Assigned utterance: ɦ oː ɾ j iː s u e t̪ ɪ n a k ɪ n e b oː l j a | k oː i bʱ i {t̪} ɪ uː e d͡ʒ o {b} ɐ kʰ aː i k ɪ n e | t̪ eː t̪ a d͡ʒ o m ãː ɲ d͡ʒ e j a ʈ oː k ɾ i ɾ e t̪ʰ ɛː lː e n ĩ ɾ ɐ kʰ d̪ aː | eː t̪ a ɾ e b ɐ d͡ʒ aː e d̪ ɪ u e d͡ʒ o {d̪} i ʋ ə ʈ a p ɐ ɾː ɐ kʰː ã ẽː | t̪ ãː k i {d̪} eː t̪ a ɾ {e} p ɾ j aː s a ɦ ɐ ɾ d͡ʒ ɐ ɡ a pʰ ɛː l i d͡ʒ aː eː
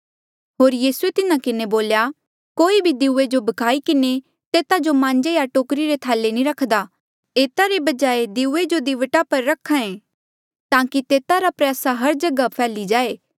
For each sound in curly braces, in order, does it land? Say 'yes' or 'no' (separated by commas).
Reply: no, yes, yes, no, no